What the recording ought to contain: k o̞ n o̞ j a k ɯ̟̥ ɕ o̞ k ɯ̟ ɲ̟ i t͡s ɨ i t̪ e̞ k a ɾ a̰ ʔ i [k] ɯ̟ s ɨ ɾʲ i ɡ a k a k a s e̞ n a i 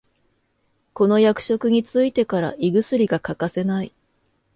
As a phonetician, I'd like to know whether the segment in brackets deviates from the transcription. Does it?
yes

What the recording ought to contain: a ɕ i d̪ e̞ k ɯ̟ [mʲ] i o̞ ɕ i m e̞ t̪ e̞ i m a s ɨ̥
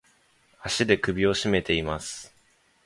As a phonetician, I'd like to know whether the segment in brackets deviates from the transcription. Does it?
yes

